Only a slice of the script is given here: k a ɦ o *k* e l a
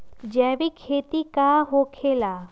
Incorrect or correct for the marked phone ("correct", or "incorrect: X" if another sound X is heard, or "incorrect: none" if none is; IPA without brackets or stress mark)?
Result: incorrect: kʰ